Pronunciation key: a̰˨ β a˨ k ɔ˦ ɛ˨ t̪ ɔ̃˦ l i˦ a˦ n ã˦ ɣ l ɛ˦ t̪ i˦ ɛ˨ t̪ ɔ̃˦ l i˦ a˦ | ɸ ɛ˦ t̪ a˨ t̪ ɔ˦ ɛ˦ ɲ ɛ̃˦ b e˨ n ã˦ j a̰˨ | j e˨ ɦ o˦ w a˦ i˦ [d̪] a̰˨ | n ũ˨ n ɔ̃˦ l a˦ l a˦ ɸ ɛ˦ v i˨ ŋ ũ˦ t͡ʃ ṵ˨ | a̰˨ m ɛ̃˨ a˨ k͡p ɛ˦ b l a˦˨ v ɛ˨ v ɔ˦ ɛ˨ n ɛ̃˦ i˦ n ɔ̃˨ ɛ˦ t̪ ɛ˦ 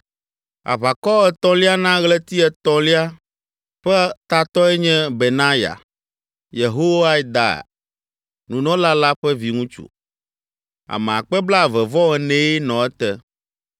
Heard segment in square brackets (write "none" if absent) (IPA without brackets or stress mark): d̪